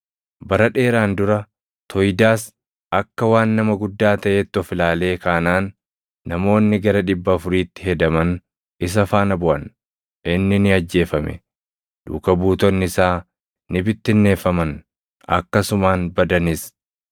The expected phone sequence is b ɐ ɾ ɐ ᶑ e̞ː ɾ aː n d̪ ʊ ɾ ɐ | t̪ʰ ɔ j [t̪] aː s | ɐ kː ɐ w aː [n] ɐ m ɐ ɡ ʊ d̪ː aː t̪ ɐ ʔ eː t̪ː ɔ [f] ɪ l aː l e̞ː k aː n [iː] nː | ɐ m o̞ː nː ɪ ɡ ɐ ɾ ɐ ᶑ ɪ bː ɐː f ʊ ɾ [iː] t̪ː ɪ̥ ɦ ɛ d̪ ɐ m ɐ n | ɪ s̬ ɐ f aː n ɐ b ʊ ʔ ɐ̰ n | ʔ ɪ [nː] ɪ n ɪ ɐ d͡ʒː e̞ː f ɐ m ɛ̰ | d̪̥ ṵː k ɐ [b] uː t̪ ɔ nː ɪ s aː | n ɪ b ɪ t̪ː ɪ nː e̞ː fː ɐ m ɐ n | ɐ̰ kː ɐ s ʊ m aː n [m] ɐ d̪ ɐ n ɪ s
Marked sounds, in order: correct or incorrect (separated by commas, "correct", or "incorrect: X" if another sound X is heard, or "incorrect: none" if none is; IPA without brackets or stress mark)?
incorrect: d̪, incorrect: nː, correct, incorrect: aː, correct, correct, correct, incorrect: b